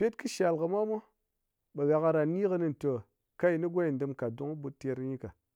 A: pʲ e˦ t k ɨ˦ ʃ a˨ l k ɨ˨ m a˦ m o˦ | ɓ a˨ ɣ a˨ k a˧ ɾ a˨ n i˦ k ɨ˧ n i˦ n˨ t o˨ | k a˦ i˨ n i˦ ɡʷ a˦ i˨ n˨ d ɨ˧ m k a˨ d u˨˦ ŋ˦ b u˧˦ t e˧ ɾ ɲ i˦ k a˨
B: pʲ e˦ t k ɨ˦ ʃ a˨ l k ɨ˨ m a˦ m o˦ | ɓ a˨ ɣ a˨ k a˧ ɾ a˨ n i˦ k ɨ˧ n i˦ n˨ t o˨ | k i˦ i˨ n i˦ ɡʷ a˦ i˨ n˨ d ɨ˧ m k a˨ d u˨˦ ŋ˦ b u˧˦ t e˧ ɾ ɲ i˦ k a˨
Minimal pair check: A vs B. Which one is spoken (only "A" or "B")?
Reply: A